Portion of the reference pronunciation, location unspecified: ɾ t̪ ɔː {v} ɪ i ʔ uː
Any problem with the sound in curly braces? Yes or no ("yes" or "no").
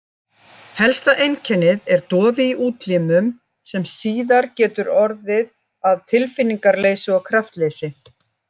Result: no